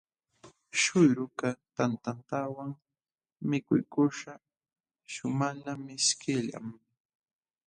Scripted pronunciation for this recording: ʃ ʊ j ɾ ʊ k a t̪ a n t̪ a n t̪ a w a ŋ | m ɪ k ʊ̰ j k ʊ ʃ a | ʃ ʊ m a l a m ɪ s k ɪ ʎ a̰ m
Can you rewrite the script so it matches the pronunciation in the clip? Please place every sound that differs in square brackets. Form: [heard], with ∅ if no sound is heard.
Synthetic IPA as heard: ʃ ʊ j ɾ ʊ k a t̪ a n t̪ a n t̪ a w a ŋ | m ɪ k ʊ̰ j k ʊ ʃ a | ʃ ʊ m a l a m ɪ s k ɪ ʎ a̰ m